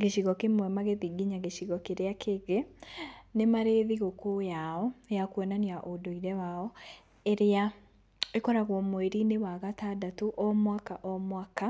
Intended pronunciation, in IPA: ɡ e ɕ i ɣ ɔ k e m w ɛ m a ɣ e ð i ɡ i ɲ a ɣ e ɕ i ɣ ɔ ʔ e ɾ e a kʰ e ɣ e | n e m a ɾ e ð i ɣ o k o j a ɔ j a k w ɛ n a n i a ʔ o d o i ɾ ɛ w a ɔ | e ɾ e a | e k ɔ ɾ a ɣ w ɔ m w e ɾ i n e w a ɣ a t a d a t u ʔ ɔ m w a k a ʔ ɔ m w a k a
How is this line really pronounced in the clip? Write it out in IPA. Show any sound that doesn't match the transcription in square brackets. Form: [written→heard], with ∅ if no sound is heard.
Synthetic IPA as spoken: ɡ e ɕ i ɣ ɔ k e m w ɛ m a ɣ e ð i ɡ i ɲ a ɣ e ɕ i ɣ ɔ [ʔ→k] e ɾ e a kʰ e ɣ e | n e m a ɾ e ð i ɣ o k o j a ɔ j a k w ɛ n a n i a ʔ o d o i ɾ ɛ w a ɔ | e ɾ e a | e k ɔ ɾ a ɣ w ɔ m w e ɾ i n e w a ɣ a t a d a t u ʔ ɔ m w a k a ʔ ɔ m w a k a